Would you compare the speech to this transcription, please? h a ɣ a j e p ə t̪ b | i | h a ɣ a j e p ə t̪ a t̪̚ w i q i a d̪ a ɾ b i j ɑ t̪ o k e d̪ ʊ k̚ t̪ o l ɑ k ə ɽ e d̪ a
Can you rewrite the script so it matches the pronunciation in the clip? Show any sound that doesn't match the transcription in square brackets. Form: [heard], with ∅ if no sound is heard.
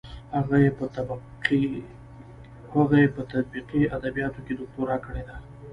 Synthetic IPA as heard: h a ɣ a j e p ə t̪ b | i | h a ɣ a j e p ə t̪ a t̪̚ [b] i q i a d̪ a [∅] b i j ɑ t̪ o k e d̪ ʊ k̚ t̪ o [ɾ] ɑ k ə ɽ e d̪ a